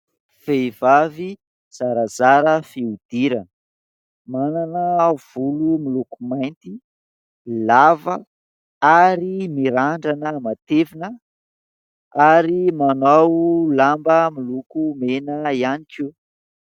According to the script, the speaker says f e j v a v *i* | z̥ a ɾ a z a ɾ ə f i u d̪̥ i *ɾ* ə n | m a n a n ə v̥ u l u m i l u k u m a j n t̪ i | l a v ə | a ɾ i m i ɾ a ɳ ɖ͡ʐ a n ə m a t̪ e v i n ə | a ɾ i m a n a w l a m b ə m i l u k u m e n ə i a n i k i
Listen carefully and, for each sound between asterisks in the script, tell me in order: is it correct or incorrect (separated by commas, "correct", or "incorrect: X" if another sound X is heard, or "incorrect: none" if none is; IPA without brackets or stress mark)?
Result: correct, correct